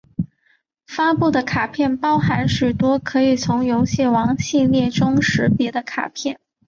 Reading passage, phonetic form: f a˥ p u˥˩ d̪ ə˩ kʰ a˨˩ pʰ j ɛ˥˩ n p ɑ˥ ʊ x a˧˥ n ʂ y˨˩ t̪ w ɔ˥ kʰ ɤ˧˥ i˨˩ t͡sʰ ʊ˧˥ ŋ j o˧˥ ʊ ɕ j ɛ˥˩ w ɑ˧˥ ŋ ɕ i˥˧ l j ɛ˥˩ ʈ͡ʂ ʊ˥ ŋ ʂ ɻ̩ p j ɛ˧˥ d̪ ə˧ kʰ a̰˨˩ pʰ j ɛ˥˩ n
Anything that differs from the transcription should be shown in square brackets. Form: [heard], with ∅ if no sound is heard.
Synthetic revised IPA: f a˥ p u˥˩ d̪ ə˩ kʰ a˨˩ pʰ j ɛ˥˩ n p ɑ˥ ʊ x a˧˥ n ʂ y˨˩ t̪ w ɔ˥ kʰ ɤ˧˥ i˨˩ t͡sʰ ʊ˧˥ ŋ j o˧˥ ʊ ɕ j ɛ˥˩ w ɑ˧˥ ŋ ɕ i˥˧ l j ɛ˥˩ ʈ͡ʂ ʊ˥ ŋ ʂ ɻ̩ p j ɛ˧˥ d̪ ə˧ kʰ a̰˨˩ pʰ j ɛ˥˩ n